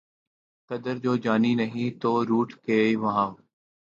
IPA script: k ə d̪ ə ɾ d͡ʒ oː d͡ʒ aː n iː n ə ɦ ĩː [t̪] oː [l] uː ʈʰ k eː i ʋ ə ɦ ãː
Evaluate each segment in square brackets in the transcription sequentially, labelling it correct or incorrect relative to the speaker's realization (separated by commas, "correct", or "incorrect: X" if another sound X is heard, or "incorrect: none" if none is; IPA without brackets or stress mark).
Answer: correct, incorrect: ɾ